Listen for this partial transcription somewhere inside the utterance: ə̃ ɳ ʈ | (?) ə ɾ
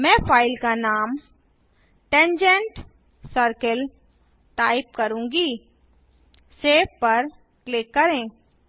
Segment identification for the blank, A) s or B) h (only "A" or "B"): A